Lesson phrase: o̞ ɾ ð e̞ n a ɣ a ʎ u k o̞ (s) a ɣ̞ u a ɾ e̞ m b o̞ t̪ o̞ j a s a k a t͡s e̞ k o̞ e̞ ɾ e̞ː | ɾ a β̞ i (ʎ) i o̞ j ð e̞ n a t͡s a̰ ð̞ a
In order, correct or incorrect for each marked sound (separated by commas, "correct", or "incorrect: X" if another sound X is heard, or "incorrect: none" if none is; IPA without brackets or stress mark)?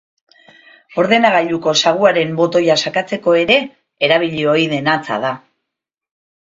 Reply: correct, correct